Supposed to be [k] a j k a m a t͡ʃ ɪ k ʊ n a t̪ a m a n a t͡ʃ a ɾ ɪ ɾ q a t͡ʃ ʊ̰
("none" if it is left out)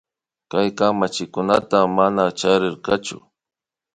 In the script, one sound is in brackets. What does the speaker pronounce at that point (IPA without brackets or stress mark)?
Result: k